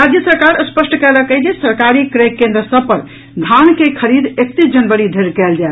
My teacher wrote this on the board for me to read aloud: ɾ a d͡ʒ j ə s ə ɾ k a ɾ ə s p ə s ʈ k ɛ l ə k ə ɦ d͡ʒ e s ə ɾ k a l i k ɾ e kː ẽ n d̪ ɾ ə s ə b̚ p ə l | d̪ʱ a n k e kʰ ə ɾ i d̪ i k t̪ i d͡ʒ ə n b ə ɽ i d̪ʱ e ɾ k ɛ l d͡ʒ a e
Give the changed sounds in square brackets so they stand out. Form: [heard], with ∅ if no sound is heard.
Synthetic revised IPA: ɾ a d͡ʒ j ə s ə ɾ k a ɾ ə s p ə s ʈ k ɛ l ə k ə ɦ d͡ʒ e s ə ɾ k a [ɾ] i k ɾ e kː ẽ n d̪ ɾ ə s ə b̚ p ə [ɾ] | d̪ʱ a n k e kʰ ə ɾ i d̪ [e] k t̪ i d͡ʒ ə n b ə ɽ i d̪ʱ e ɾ k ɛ l d͡ʒ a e